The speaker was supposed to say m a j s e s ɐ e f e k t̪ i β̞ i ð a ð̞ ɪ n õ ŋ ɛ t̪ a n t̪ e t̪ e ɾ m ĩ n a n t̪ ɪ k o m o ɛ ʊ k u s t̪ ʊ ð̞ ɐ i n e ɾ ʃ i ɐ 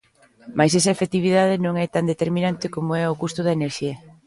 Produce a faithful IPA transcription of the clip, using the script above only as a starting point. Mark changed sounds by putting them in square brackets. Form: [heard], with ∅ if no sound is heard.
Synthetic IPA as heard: m a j s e s ɐ e f e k t̪ i β̞ i ð a ð̞ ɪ n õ ŋ ɛ t̪ a n [d̪] e t̪ e ɾ m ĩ n a n t̪ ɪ k o m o ɛ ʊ k u s t̪ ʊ ð̞ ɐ [e] n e ɾ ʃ i ɐ

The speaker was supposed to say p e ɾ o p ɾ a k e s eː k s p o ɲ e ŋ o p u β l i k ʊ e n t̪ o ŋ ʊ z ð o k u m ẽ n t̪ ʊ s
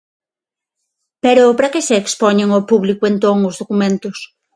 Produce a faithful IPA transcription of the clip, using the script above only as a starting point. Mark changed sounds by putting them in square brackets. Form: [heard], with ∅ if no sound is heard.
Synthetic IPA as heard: p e ɾ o p ɾ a k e s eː k s p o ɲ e ŋ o p u β l i k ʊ e n t̪ o ŋ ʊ z ð o k u m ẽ n t̪ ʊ s

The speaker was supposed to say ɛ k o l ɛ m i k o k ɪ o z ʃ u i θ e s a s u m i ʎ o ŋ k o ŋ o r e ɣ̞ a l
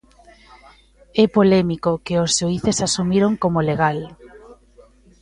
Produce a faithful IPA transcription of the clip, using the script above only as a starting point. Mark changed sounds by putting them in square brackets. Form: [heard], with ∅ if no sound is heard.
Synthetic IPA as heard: ɛ [p] o l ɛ m i k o k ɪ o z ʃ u i θ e s a s u m i [ɾ] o ŋ k o [m] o [l] e ɣ̞ a l

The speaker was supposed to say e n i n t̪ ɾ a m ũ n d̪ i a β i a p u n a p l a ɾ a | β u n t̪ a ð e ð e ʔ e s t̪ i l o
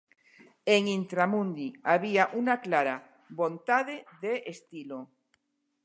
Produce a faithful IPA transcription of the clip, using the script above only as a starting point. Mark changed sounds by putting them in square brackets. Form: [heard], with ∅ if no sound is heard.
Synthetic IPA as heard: e [ŋ] i n t̪ ɾ a m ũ n d̪ i a β i a [ʔ] u n a [k] l a ɾ a | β [o] n t̪ a ð e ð e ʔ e s t̪ i l o

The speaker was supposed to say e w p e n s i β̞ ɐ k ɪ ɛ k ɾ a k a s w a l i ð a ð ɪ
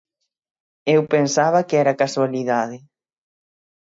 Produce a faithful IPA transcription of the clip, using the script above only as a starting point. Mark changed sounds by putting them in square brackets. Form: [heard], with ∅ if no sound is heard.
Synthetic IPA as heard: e w p e n s [a] β̞ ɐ k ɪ ɛ [∅] ɾ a k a s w a l i ð a ð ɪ

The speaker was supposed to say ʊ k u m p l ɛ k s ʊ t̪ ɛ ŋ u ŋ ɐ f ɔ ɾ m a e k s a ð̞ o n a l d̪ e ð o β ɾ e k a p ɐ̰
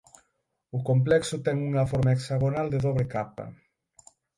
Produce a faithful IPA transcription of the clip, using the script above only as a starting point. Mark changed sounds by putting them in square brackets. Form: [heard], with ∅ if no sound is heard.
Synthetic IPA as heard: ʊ k [o] m p l ɛ k s ʊ t̪ ɛ ŋ u ŋ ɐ f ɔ ɾ m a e k s a [ɣ̞] o n a l d̪ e ð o β ɾ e k a p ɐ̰

